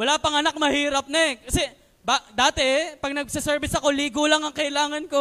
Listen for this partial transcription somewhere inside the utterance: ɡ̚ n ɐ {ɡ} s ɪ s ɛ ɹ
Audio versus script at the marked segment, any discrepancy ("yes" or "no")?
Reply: no